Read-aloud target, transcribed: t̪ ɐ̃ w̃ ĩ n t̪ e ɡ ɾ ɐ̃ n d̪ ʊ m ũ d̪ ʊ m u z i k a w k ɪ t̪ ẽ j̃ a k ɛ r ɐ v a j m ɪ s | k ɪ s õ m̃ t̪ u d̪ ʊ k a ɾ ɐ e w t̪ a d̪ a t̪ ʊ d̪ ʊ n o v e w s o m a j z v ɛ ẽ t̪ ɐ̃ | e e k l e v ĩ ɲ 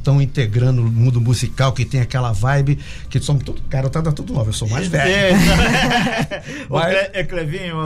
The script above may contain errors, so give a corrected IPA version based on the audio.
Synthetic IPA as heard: t̪ ɐ̃ w̃ ĩ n t̪ e ɡ ɾ ɐ̃ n d̪ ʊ m ũ d̪ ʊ m u z i k a w k ɪ t̪ ẽ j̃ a k ɛ l ɐ v a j b ɪ | k ɪ s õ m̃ t̪ u d̪ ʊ k a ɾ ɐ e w t̪ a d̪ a t̪ u d̪ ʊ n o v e w s o m a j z v ɛ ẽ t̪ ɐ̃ | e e k l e v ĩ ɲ